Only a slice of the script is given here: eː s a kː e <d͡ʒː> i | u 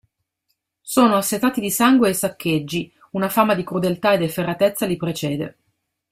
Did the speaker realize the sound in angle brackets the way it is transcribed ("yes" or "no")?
yes